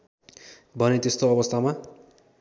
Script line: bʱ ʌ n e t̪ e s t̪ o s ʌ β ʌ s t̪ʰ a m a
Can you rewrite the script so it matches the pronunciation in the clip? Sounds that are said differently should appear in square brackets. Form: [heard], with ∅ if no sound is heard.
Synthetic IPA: bʱ ʌ n e t̪ e s t̪ o [∅] ʌ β ʌ s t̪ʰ a m a